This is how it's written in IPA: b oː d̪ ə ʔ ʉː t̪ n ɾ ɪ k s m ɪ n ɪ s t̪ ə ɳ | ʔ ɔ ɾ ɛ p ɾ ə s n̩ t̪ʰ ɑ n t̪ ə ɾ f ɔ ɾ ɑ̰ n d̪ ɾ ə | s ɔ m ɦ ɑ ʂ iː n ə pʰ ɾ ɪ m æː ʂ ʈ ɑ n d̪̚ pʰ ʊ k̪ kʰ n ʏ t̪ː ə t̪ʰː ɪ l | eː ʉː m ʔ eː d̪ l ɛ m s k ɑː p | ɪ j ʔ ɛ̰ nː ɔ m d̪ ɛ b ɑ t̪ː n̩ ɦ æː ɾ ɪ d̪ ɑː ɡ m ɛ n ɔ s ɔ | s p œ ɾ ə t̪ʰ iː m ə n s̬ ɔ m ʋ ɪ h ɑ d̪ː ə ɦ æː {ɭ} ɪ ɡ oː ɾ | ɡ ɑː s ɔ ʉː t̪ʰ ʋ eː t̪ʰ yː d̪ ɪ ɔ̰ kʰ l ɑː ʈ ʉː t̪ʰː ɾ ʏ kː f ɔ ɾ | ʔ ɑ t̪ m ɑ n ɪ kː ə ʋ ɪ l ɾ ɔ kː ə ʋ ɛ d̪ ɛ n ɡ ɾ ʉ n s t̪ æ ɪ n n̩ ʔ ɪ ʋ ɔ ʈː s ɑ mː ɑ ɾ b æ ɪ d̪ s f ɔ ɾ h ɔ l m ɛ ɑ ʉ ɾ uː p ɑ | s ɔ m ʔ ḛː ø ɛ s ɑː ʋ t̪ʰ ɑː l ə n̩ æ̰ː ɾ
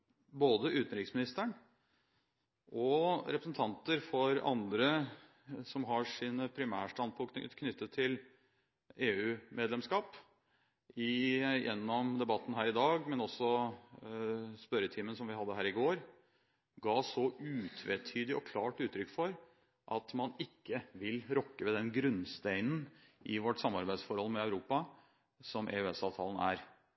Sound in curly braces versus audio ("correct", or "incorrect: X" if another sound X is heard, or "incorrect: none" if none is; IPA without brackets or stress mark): incorrect: ɾ